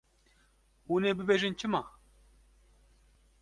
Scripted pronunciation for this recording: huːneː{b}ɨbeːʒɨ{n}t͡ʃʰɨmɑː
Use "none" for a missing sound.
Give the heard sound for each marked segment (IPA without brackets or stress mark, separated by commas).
b, n